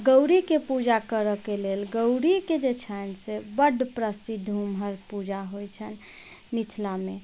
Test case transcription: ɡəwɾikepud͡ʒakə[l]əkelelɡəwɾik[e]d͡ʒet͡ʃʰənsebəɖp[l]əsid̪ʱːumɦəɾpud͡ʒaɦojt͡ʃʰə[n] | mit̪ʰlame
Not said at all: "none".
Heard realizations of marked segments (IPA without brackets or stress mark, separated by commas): ɾ, e, ɾ, n